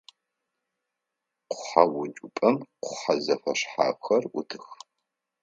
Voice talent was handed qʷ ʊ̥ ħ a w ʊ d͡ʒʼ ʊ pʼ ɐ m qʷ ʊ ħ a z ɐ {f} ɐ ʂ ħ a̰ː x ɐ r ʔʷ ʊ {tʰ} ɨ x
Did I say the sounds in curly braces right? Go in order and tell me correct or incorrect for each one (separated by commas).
correct, correct